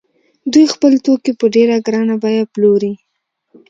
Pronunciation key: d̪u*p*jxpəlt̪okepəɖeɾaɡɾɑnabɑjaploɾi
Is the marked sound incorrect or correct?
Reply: incorrect